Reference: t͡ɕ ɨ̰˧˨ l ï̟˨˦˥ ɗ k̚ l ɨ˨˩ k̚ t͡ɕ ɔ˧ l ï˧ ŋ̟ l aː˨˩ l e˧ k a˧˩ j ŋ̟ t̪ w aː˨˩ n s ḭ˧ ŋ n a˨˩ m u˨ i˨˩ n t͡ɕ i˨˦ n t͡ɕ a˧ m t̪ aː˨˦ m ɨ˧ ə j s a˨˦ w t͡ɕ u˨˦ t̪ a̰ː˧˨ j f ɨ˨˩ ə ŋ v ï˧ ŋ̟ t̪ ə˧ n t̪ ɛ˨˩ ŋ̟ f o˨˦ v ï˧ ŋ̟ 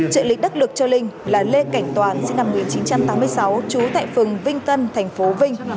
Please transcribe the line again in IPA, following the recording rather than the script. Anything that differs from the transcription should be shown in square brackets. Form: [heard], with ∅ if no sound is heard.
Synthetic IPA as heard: t͡ɕ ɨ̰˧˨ l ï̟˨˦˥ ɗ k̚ l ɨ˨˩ k̚ t͡ɕ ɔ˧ l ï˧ ŋ̟ l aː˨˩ l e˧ k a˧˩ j ŋ̟ t̪ w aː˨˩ n s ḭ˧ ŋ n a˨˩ m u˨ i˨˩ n t͡ɕ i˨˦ n t͡ɕ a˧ m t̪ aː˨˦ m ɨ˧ ə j s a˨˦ w t͡ɕ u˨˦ t̪ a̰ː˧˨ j f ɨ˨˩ ə ŋ v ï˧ ŋ̟ t̪ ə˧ n [t̪ʰ] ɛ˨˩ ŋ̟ f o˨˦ v ï˧ ŋ̟